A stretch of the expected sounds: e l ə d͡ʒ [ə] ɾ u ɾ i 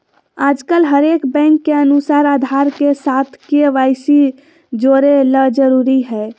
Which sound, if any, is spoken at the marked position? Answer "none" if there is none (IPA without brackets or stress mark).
ə